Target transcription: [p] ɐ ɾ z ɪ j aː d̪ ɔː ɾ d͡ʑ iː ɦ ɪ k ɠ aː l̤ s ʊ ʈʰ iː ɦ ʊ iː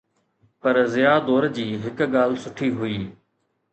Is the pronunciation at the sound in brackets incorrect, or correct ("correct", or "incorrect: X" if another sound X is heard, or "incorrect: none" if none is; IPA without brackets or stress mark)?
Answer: correct